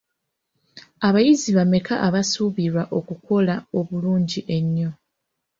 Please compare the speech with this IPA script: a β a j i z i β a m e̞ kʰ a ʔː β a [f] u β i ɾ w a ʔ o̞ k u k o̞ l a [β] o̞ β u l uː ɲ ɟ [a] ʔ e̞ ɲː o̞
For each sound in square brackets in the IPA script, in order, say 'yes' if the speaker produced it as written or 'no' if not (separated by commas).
no, no, no